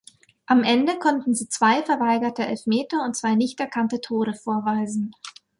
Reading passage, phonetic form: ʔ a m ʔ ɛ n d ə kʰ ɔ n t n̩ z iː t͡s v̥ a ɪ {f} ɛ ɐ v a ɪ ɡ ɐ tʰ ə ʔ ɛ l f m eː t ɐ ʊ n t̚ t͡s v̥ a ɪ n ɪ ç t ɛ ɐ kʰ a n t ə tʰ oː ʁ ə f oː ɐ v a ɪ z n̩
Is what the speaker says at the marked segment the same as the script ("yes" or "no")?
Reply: yes